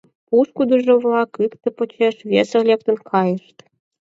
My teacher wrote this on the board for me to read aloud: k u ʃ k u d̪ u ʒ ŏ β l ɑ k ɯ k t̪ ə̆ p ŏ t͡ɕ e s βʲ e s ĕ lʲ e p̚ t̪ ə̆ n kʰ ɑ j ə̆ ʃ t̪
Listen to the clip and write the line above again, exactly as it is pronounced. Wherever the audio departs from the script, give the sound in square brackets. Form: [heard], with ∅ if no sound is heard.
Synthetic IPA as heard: [p] u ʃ k u d̪ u ʒ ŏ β l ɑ k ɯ k t̪ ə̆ p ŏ t͡ɕ e [ʃ] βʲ e s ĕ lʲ e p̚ t̪ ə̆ n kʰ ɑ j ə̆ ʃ t̪